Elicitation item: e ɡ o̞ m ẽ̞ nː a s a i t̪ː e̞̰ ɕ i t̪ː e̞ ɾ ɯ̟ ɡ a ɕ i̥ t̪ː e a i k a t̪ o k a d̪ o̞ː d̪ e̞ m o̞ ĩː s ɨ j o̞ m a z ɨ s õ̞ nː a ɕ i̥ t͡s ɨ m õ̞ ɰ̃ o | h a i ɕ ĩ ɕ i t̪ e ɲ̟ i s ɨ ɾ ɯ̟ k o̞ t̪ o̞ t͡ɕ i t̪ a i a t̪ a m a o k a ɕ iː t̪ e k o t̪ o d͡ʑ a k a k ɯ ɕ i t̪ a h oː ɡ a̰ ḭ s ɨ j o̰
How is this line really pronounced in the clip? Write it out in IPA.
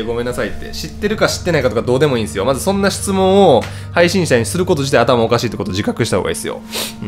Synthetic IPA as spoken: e ɡ o̞ m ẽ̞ nː a s a i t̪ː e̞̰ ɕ i t̪ː e̞ ɾ ɯ̟ k a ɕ i̥ t̪ː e a i k a t̪ o k a d̪ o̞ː d̪ e̞ m o̞ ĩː s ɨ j o̞ m a z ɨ s õ̞ nː a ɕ i̥ t͡s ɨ m õ̞ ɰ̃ o | h a i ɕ ĩ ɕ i t̪ a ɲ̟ i s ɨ ɾ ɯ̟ k o̞ t̪ o̞ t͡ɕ i t̪ a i a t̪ a m a o k a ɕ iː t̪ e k o t̪ o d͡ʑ i k a k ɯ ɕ i t̪ a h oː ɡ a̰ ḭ s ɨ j o̰